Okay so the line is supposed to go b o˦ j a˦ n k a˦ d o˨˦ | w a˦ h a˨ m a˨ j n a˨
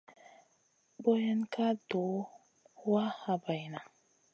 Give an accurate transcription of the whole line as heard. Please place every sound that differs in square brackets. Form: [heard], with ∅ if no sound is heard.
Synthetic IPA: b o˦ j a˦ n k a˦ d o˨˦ | w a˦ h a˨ [b] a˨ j n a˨